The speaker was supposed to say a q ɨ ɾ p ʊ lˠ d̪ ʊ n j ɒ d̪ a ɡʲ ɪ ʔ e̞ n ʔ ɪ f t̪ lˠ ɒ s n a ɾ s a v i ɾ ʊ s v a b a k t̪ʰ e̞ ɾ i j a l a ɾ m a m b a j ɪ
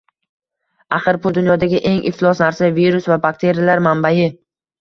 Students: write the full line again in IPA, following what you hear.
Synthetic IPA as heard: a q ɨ ɾ p ʊ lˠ d̪ ʊ n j ɒ d̪ a ɡʲ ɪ ʔ e̞ ŋ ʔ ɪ f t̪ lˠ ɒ s n a ɾ s a v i ɾ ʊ s v a b a k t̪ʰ e̞ ɾ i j a l a ɾ m a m b a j ɪ